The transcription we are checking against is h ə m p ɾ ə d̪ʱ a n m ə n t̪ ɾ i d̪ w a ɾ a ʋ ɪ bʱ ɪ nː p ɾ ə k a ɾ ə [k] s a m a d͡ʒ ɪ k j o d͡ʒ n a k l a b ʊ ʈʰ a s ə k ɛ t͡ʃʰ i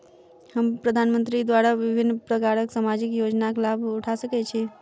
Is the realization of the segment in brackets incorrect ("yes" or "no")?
no